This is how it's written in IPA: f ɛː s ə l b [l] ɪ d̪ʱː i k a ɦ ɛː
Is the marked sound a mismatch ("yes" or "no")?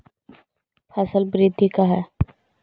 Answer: yes